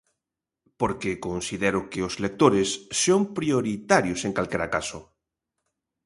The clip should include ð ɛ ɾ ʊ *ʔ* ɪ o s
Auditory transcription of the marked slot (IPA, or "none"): k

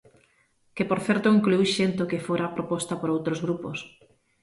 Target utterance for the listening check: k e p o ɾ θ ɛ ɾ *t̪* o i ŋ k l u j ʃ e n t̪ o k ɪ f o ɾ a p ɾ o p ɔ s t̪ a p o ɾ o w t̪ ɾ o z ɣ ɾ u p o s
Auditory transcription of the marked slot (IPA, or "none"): t̪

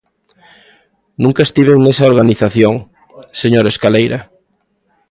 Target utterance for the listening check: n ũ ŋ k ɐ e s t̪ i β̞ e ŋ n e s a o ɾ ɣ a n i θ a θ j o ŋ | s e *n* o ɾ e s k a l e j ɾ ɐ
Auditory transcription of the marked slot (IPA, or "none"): ɲ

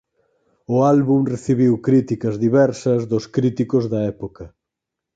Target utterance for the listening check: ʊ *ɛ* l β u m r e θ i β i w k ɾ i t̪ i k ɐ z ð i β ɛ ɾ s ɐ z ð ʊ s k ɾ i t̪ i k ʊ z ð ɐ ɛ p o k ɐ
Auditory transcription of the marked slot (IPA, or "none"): a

